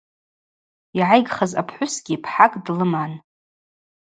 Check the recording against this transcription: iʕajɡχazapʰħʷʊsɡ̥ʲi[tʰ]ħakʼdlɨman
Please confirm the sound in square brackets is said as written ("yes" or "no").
no